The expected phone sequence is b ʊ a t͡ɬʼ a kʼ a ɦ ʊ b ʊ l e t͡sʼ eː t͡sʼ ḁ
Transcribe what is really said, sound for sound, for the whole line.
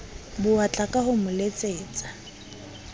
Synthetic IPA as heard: b ʊ a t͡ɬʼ a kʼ a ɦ ʊ m ʊ l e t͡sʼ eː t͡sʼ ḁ